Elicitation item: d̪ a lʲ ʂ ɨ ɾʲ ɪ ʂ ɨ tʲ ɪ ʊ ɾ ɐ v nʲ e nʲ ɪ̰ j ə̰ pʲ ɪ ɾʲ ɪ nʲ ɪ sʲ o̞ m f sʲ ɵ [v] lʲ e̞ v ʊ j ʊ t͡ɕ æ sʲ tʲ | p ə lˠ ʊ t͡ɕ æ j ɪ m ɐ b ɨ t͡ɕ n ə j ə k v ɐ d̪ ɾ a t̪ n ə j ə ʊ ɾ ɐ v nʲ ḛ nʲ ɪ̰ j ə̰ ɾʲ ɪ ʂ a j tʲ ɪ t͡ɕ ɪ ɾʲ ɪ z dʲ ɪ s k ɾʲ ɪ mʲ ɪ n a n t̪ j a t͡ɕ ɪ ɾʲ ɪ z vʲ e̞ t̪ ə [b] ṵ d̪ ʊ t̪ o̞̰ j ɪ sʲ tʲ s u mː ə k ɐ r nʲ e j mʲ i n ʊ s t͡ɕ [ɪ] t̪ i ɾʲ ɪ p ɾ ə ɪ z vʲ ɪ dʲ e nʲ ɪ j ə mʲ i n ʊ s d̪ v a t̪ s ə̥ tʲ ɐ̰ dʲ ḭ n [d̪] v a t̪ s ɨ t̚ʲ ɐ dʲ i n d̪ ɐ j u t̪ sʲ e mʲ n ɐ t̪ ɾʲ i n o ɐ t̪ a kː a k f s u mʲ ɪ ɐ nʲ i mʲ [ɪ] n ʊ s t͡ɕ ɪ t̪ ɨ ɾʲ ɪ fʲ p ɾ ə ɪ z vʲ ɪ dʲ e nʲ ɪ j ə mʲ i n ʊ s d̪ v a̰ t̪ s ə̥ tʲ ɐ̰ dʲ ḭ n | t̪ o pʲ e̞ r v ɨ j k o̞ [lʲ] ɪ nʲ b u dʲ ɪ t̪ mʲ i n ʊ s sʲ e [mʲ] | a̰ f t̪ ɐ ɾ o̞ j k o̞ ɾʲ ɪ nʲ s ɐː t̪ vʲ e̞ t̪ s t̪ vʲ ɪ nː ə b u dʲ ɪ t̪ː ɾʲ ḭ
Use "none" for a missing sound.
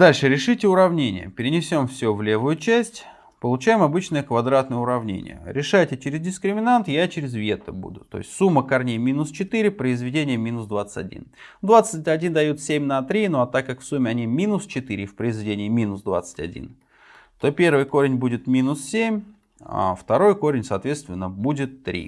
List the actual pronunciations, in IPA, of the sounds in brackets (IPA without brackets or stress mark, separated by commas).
v, b, ɪ, d̪, i, ɾʲ, mʲ